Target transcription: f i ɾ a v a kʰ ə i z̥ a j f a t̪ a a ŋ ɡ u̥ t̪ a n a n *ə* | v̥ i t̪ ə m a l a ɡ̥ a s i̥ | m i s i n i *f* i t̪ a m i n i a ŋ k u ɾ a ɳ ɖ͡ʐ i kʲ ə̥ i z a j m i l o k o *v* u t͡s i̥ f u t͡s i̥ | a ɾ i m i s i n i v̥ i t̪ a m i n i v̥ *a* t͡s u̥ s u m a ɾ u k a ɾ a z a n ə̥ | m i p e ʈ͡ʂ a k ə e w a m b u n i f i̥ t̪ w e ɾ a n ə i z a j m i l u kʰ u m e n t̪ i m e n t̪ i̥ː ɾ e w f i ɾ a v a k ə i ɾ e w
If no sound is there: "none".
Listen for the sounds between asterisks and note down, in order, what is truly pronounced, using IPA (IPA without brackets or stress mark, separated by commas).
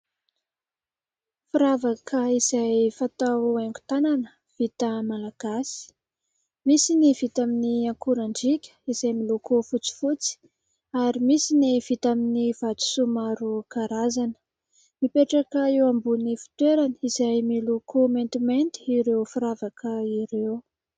ə, v, f, a